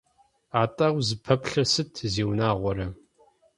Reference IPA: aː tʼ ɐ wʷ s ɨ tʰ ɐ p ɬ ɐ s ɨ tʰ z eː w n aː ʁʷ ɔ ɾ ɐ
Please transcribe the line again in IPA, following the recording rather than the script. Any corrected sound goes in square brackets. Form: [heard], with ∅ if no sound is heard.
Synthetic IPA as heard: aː tʼ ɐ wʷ [z] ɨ [pʰ] ɐ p ɬ ɐ s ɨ tʰ z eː w n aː ʁʷ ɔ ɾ ɐ